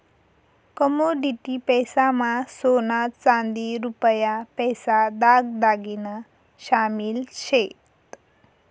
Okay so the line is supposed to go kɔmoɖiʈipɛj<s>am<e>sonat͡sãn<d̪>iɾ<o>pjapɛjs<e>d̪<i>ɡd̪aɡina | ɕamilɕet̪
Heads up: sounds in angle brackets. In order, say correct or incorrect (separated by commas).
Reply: correct, incorrect, correct, incorrect, incorrect, incorrect